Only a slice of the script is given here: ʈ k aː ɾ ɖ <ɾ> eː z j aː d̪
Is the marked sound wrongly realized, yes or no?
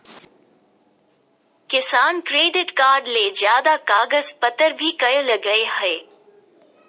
yes